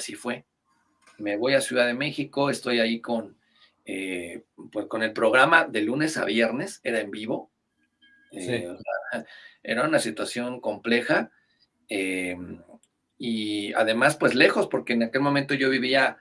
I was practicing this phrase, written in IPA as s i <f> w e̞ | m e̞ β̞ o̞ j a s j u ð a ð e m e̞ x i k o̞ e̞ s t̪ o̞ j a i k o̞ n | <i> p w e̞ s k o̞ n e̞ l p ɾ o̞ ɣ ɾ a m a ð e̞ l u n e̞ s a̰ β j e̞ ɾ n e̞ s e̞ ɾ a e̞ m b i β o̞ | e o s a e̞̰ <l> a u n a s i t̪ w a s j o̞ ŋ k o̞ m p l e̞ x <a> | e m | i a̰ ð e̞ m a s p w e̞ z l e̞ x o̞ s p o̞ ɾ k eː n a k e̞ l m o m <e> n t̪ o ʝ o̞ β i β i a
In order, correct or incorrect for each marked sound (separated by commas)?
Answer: correct, incorrect, incorrect, correct, incorrect